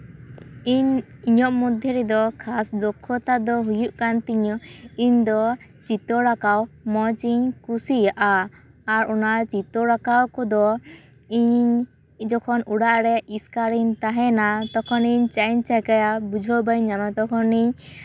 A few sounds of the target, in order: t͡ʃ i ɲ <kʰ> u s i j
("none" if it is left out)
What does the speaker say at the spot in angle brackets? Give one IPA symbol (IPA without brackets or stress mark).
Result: k